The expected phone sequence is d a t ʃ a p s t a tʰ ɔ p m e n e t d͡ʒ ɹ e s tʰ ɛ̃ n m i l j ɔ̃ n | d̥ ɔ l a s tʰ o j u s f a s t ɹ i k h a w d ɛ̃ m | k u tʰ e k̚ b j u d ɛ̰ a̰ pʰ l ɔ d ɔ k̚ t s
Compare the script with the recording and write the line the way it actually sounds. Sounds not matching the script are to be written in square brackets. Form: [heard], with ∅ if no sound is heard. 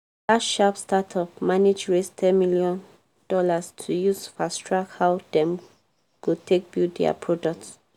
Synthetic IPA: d a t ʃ a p s t a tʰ ɔ p m [a] n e [∅] d͡ʒ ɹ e s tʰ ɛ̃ n m i l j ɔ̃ n | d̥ ɔ l a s tʰ [u] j u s f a s t ɹ [a] k h a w d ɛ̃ m | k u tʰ e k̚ b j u d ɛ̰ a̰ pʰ [ɹ] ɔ d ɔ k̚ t s